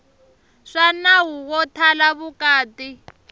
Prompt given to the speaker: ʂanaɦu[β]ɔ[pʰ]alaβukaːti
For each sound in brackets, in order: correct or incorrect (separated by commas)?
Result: incorrect, incorrect